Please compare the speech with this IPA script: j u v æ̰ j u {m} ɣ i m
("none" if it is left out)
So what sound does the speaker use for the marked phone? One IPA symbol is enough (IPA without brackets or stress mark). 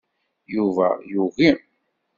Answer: none